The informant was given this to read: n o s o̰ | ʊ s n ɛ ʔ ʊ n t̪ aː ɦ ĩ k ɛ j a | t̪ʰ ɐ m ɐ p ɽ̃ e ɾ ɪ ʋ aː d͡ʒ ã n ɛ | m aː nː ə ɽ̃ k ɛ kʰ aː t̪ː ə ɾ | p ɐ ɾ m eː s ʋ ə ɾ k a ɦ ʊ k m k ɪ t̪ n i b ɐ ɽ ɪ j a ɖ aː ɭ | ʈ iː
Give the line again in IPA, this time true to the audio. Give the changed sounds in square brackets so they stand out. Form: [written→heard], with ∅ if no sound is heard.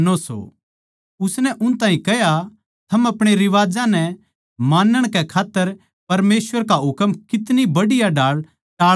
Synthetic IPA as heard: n o s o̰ | ʊ s n ɛ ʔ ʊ n t̪ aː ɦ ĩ k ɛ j a | t̪ʰ ɐ m ɐ p ɽ̃ e ɾ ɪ ʋ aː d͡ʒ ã n ɛ | m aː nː ə ɽ̃ k ɛ kʰ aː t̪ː ə ɾ | p ɐ ɾ m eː s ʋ ə ɾ k a ɦ ʊ k m k ɪ t̪ n i b ɐ ɽ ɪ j a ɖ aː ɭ | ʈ [iː→aː]